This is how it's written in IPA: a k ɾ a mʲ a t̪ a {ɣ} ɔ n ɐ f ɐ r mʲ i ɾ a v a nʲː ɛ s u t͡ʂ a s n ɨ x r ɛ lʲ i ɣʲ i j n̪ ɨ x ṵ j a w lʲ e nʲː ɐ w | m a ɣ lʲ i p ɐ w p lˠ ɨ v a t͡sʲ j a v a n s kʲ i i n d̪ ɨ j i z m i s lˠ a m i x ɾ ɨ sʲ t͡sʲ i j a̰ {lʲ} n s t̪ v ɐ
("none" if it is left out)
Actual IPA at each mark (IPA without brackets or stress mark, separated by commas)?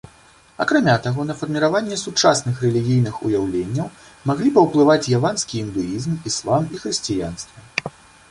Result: ɣ, none